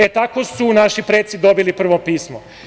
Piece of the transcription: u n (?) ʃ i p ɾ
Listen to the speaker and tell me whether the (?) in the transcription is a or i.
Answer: a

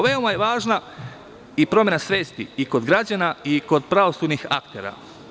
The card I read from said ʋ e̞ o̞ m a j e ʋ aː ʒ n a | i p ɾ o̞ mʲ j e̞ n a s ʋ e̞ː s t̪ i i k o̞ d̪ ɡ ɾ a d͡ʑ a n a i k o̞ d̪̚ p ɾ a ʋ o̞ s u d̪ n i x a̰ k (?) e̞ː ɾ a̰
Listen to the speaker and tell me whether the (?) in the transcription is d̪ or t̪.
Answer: t̪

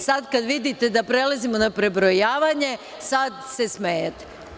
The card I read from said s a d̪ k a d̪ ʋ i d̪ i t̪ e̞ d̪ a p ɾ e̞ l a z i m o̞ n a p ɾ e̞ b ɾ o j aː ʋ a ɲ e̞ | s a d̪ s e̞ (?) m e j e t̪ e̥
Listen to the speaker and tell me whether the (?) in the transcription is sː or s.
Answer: s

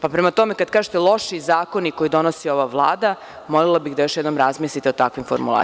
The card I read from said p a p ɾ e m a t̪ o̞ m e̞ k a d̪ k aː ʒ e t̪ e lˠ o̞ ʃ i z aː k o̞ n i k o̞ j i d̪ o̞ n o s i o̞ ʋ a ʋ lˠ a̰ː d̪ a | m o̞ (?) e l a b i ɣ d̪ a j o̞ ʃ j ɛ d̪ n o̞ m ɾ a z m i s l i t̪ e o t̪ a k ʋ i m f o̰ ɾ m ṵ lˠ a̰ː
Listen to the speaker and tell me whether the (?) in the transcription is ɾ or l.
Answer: l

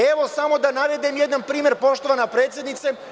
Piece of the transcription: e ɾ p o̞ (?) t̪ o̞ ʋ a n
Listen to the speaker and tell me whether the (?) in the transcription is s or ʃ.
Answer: ʃ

